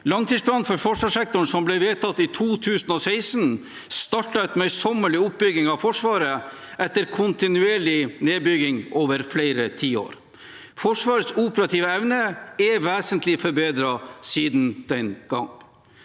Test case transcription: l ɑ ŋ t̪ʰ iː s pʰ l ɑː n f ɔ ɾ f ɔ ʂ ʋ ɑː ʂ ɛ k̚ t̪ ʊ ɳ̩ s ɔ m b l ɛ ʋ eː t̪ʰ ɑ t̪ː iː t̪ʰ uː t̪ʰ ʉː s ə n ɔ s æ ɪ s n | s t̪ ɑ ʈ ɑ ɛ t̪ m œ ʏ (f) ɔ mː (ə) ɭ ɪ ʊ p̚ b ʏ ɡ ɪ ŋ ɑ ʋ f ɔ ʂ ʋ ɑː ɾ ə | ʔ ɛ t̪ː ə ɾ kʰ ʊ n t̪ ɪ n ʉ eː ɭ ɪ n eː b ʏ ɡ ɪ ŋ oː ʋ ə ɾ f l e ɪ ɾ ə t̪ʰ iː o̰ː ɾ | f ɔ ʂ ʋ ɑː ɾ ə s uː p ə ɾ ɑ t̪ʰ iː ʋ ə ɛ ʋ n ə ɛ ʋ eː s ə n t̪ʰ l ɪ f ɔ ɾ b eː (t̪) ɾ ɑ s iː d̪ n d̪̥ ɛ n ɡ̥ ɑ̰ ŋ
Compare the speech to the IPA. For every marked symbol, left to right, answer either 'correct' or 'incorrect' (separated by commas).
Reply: incorrect, correct, incorrect